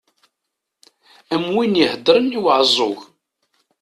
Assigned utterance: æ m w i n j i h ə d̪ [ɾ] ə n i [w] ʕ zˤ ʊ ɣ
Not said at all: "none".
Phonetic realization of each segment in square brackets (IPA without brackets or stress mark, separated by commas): ɾ, w